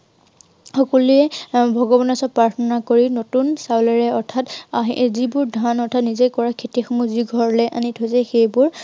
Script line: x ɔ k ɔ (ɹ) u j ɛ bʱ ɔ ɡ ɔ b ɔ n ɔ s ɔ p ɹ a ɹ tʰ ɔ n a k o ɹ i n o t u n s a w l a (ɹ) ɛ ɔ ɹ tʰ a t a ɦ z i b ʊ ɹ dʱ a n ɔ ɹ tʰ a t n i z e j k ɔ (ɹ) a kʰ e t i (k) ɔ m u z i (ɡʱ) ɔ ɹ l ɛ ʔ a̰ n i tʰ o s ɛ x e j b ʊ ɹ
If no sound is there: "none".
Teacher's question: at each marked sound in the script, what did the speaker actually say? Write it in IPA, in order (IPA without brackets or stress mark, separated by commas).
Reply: l, ɹ, ɹ, x, ɡʱ